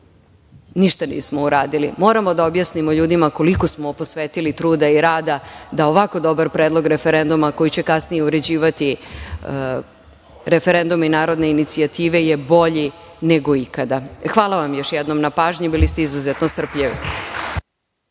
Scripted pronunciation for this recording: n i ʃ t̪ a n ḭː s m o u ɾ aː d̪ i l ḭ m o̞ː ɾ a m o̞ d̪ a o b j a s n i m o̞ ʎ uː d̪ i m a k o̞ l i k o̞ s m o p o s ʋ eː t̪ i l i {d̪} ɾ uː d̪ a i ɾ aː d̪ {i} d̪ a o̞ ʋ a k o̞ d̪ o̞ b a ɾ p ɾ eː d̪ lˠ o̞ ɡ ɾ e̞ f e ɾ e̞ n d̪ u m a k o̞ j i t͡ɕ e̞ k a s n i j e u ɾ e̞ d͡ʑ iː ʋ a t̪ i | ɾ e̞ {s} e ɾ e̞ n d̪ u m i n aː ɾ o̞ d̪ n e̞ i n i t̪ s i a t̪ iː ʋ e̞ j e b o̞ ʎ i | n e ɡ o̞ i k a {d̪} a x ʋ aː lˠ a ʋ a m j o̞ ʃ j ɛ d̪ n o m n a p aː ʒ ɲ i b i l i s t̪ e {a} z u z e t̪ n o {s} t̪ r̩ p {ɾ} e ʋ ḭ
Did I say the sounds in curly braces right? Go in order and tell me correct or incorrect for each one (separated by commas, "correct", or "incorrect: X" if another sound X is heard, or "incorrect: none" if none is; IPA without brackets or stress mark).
incorrect: t̪, incorrect: a, incorrect: f, correct, incorrect: i, correct, incorrect: ʎ